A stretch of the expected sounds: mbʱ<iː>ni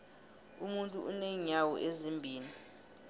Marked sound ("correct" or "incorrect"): correct